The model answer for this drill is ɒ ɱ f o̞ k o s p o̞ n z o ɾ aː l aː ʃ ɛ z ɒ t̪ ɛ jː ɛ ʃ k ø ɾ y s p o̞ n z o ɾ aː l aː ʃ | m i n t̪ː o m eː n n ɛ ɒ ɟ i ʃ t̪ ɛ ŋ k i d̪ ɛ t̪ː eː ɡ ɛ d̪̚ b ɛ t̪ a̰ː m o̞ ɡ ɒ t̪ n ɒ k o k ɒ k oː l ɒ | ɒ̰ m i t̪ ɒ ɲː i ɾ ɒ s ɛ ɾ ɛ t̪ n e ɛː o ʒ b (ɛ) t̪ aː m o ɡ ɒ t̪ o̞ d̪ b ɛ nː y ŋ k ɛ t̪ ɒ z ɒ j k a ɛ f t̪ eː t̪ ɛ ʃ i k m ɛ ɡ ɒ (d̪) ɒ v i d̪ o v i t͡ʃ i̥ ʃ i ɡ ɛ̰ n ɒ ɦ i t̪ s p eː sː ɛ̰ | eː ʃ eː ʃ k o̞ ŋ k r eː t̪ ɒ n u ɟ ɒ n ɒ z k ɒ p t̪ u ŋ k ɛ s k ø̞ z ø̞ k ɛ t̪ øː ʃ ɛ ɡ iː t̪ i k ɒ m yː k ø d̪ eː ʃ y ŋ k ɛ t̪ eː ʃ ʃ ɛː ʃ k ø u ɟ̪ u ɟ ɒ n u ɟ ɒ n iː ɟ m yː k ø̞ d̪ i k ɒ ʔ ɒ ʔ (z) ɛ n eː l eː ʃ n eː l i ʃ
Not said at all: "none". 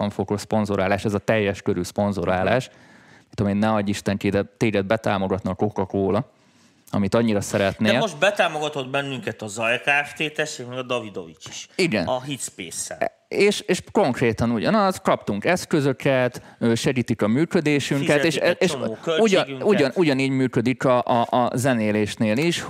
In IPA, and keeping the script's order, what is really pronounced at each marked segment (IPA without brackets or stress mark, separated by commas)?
ɛ, d̪, z